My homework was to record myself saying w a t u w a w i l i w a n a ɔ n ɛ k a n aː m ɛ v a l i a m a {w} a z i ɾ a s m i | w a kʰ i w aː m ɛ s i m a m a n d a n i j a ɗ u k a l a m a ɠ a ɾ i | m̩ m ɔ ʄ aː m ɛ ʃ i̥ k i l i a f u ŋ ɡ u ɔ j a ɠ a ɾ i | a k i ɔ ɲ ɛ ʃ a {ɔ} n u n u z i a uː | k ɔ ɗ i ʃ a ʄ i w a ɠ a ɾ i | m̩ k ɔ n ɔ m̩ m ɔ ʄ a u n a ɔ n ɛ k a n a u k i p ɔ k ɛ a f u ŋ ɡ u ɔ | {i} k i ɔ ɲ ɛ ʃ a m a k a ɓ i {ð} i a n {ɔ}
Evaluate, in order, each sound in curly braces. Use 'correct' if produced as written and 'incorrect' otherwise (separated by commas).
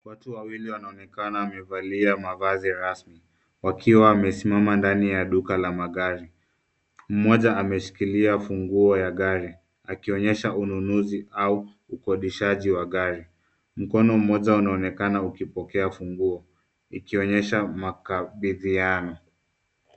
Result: incorrect, incorrect, correct, correct, correct